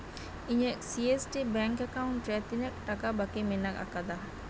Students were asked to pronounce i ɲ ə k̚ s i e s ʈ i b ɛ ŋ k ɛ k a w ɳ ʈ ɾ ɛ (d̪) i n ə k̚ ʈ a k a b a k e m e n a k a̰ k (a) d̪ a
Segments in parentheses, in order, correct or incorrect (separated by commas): incorrect, correct